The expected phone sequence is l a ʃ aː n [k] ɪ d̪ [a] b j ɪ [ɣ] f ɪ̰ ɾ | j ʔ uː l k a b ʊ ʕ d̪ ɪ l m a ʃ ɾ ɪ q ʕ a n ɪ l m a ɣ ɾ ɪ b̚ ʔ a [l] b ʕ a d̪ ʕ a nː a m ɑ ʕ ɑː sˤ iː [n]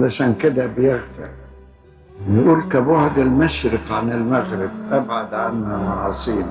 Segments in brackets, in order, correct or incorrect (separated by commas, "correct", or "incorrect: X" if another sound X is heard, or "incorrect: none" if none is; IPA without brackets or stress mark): correct, correct, correct, incorrect: none, correct